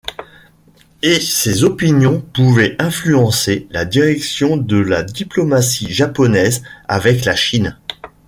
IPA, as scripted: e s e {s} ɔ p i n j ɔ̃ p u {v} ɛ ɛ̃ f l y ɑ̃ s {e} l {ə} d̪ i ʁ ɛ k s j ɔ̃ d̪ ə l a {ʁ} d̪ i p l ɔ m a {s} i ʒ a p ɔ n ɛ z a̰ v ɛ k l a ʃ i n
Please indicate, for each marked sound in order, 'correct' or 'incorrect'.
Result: incorrect, correct, correct, incorrect, incorrect, correct

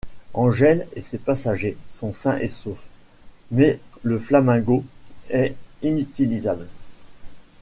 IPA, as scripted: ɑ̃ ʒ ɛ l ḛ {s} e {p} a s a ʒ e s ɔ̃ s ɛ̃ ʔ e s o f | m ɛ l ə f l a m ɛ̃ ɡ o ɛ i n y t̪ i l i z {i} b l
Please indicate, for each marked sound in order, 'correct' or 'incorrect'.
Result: correct, correct, incorrect

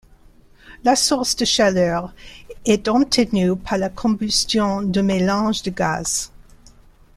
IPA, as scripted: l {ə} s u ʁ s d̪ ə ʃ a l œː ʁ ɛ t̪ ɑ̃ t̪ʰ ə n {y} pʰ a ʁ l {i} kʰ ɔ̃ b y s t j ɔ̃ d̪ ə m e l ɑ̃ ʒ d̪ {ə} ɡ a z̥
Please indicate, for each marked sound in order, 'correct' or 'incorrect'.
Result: incorrect, correct, incorrect, correct

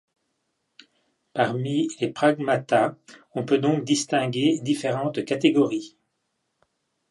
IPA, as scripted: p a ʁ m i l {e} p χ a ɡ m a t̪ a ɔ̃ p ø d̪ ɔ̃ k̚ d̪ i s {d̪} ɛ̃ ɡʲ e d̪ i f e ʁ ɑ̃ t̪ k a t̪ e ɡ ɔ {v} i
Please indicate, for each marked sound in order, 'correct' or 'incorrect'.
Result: correct, incorrect, incorrect

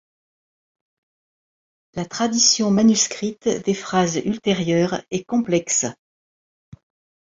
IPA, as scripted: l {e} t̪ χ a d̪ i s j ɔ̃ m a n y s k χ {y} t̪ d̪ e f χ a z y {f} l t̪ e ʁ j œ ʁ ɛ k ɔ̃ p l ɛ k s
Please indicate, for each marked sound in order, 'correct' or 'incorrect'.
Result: incorrect, incorrect, incorrect

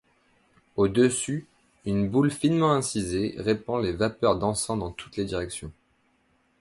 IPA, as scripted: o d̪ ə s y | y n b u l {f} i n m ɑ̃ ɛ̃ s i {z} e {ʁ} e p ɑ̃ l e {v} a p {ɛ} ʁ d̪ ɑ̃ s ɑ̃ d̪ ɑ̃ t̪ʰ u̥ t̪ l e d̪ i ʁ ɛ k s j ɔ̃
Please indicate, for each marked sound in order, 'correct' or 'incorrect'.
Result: correct, correct, correct, correct, incorrect

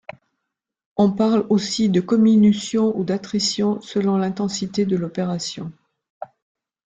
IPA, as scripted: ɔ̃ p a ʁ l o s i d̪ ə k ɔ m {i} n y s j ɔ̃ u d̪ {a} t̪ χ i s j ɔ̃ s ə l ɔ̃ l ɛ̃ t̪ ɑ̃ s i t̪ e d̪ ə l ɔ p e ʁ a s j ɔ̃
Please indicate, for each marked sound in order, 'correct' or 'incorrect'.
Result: correct, correct

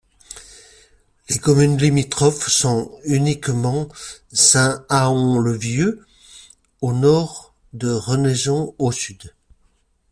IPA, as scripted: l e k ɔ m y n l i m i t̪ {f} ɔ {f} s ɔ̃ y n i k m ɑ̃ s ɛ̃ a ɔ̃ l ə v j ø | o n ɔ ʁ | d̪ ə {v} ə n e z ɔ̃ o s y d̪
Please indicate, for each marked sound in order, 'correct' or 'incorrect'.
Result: incorrect, correct, incorrect

